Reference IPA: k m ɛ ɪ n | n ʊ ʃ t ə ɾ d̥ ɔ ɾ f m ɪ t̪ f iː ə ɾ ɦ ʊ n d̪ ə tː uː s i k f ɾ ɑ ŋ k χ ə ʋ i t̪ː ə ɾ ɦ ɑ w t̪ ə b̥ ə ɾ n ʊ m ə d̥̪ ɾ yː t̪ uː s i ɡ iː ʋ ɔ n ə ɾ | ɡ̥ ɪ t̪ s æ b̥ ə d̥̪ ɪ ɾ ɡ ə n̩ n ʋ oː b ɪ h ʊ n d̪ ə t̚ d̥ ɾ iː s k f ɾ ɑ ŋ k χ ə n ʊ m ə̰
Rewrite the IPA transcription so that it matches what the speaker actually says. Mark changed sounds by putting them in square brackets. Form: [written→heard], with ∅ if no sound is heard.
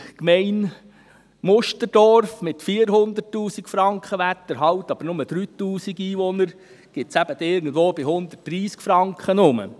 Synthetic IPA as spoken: k m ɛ ɪ n | [n→m] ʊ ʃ t ə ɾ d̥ ɔ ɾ f m ɪ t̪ f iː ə ɾ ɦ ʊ n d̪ ə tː uː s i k f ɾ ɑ ŋ k χ ə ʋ [i→æ] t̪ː ə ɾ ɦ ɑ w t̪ [ə→ɑ] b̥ ə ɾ n ʊ m ə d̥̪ ɾ yː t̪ uː s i ɡ iː ʋ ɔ n ə ɾ | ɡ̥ ɪ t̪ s æ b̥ ə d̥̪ ɪ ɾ ɡ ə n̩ [n→d] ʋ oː b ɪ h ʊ n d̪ ə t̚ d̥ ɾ iː s k f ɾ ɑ ŋ k χ ə n ʊ m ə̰

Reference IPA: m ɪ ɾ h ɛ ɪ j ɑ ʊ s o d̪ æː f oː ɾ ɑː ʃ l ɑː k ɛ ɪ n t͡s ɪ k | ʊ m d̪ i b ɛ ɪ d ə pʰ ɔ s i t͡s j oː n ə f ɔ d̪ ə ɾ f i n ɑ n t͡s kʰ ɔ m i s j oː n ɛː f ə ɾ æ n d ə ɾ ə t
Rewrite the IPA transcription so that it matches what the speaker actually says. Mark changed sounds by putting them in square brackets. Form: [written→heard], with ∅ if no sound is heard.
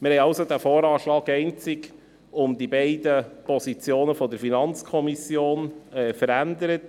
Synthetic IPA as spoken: m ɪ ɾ h ɛ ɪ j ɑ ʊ s o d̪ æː f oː ɾ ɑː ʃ l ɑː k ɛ ɪ n t͡s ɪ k | ʊ m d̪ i b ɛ ɪ d ə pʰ ɔ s i t͡s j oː n ə f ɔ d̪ ə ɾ f i n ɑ n t͡s kʰ ɔ m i s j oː n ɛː f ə ɾ æ n d ə ɾ ə t

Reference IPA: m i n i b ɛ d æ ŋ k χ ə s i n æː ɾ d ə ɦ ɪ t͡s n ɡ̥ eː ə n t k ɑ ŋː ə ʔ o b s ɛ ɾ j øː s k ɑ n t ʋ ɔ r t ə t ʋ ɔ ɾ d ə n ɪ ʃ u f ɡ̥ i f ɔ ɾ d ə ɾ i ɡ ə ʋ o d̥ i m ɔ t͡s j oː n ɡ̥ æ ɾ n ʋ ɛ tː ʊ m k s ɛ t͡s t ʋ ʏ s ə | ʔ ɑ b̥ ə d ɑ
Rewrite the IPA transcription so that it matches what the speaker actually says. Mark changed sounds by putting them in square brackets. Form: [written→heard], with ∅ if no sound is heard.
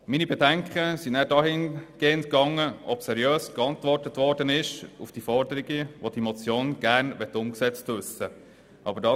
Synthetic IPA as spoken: m i n i b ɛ d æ ŋ k χ ə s i n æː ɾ d [ə→ɑ] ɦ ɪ [t͡s→∅] n ɡ̥ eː ə n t k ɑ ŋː ə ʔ [o→ɔ] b s ɛ ɾ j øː s k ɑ n t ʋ ɔ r t ə t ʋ ɔ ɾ d ə n ɪ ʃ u f [ɡ̥→d̥] i f ɔ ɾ d ə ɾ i ɡ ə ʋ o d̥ i m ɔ t͡s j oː n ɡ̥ æ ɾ n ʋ ɛ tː ʊ m k s ɛ t͡s t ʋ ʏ s ə | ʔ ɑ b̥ ə d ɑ

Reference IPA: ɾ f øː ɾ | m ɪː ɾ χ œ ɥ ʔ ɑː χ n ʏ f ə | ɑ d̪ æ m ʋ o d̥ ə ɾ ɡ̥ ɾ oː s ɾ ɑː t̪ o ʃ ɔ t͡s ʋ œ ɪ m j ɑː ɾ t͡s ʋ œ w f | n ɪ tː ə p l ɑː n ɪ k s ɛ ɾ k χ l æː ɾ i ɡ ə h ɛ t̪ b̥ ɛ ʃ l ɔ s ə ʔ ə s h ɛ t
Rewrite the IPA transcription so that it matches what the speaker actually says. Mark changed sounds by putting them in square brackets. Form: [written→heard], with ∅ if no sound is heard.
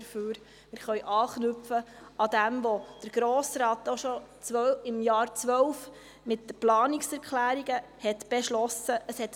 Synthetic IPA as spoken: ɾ f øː ɾ | m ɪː ɾ χ œ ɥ ʔ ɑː χ n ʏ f ə | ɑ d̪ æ m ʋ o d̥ ə ɾ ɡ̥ ɾ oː s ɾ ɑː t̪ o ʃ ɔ t͡s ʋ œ ɪ m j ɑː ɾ t͡s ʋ œ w f | [n→m] ɪ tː ə p l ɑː n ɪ k s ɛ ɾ k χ l æː ɾ i ɡ ə h ɛ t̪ b̥ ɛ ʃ l ɔ s ə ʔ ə s h ɛ t

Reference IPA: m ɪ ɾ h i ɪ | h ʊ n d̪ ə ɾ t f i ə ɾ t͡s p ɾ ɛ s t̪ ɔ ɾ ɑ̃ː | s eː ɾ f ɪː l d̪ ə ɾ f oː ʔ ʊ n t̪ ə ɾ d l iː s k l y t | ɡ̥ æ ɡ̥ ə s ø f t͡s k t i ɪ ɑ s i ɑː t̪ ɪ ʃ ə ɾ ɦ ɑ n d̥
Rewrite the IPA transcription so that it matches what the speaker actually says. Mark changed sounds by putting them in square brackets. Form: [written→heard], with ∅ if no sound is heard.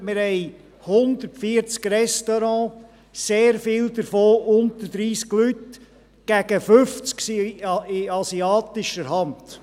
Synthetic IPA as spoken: m ɪ ɾ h [i→ɛ] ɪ | h ʊ n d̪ ə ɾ t f i ə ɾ t͡s [p→k] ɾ ɛ s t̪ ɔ ɾ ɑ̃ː | s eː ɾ f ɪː l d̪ ə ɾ f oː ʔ ʊ n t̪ ə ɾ d [l→ɾ] iː s k l y t | ɡ̥ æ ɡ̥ ə [s→f] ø f t͡s k [t→s] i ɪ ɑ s i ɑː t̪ ɪ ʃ ə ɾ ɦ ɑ n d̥

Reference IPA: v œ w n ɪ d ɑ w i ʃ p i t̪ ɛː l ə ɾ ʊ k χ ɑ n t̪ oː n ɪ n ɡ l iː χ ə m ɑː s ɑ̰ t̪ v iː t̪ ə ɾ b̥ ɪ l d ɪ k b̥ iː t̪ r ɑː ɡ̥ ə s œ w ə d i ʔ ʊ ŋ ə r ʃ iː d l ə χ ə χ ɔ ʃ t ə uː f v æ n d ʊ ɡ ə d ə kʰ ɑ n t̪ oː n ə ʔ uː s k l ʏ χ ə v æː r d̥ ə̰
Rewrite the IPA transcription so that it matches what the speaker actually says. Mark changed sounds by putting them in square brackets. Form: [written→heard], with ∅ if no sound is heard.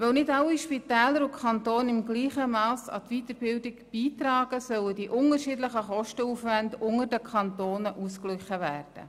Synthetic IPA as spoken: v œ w n ɪ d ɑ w i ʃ p i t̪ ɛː l ə ɾ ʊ k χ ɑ n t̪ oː n ɪ [n→m] ɡ l iː χ ə m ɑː s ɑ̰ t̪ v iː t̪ ə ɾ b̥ ɪ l d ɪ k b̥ iː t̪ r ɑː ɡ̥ ə s œ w ə d i ʔ ʊ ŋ ə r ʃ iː d l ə χ ə χ ɔ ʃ t ə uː f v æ n d ʊ [ɡ→ŋ] ə d ə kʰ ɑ n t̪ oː n ə ʔ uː s k l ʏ χ ə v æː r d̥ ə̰

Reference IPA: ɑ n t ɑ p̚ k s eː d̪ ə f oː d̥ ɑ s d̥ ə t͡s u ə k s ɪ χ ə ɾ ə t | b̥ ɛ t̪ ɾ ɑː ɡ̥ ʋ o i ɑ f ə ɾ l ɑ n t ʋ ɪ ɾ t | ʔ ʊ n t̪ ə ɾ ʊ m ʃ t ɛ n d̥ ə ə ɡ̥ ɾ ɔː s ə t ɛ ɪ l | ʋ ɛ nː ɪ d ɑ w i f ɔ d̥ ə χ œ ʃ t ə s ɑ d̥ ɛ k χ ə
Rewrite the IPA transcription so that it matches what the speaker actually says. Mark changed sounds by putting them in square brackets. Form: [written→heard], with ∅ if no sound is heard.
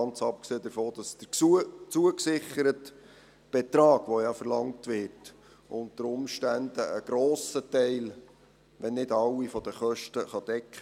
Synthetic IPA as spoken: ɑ n [t→t͡s] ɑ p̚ k s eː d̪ ə f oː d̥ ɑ s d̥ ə t͡s u ə k s ɪ χ ə ɾ ə t | b̥ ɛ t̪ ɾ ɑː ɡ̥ ʋ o [i→j] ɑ f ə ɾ l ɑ [n→ŋ] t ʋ ɪ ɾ t | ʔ ʊ n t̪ ə ɾ ʊ m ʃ t [ɛ→æ] n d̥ ə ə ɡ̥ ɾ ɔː s ə t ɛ ɪ l | ʋ ɛ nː ɪ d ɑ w i f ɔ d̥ ə χ œ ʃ t ə [s→χ] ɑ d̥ ɛ k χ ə

